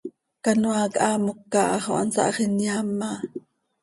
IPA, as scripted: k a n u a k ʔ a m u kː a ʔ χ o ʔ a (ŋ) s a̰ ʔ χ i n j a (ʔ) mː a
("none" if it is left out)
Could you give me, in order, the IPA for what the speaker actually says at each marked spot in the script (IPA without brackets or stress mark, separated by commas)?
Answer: n, none